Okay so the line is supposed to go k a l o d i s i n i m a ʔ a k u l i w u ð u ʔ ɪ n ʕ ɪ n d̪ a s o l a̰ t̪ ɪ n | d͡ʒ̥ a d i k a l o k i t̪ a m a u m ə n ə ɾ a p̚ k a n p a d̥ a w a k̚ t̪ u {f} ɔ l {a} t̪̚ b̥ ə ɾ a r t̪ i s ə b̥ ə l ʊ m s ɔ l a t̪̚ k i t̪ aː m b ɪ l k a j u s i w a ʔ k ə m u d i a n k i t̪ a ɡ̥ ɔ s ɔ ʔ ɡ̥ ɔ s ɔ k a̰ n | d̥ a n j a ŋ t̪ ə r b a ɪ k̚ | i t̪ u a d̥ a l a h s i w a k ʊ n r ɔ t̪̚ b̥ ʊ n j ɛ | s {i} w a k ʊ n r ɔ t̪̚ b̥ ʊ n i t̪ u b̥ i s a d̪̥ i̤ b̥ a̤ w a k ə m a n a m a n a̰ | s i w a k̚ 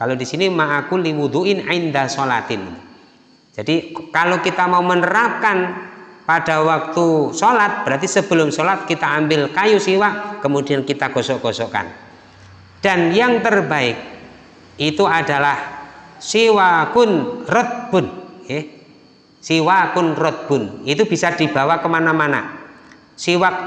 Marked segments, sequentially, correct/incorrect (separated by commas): incorrect, correct, correct